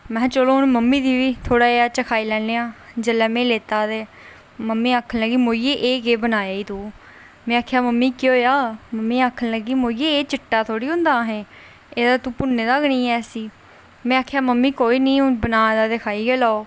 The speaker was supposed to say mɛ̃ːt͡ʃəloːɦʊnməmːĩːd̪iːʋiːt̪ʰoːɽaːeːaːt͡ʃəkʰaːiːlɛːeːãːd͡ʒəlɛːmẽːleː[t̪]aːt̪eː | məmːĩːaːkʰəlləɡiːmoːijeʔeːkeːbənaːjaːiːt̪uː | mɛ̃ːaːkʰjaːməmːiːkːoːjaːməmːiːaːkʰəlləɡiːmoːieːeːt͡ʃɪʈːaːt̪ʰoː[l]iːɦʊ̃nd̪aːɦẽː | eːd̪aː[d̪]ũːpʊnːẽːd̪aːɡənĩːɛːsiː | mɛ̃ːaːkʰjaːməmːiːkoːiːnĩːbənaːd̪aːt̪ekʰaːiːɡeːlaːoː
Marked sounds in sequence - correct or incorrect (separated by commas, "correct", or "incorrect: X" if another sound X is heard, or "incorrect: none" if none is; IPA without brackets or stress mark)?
correct, incorrect: ɽ, incorrect: t̪